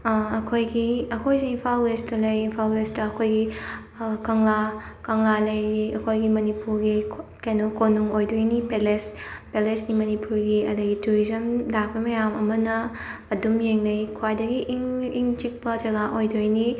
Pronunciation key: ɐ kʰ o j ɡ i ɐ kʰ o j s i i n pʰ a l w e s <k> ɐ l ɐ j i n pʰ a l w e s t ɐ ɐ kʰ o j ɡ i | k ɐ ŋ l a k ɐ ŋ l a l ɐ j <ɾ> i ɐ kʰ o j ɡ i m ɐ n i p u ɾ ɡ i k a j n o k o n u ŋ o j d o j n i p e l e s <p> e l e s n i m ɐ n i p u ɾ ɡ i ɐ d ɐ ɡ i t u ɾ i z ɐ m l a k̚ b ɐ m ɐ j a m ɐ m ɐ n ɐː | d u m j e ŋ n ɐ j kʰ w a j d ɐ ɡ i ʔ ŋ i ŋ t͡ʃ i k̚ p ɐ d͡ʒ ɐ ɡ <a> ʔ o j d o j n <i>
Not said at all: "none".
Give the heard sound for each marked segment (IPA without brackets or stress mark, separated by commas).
t, ɾ, p, a, i